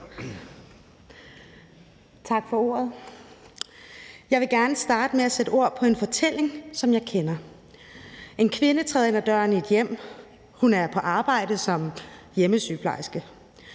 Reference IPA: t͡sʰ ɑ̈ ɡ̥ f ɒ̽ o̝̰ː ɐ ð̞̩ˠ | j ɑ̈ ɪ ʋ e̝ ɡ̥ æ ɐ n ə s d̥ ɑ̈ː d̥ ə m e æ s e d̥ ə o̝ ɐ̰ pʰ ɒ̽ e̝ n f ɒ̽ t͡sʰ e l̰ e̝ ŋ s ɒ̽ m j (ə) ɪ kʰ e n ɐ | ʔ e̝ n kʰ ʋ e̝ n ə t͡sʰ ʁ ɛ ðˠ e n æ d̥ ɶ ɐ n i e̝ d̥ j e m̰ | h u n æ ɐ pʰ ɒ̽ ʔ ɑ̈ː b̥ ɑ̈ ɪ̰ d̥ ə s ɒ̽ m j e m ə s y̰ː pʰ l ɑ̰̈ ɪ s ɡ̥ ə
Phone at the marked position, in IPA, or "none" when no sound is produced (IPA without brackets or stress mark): ɑ